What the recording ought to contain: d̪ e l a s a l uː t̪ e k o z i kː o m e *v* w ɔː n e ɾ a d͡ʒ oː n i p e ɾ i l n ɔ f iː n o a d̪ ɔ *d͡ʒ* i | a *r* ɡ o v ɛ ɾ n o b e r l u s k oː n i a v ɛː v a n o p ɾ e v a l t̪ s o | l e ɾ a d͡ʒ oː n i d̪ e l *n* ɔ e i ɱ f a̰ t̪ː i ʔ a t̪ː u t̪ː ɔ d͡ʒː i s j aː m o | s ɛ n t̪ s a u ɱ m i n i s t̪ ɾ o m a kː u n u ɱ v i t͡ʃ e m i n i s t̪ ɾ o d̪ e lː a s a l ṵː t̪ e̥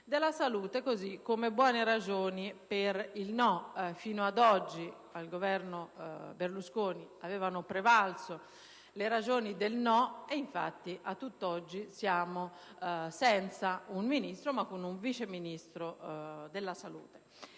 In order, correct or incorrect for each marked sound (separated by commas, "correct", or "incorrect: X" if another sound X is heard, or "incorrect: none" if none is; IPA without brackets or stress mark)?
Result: incorrect: b, incorrect: d͡ʒː, incorrect: l, correct